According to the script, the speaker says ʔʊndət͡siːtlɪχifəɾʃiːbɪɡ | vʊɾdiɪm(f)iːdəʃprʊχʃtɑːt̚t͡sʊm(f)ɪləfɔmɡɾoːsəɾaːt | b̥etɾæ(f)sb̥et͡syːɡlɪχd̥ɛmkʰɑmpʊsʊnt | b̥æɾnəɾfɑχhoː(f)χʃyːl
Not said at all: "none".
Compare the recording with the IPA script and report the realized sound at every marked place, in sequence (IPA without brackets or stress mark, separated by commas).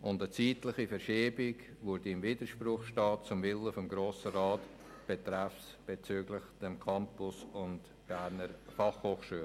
v, v, f, none